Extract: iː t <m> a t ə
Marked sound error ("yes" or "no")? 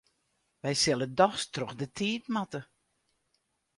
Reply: no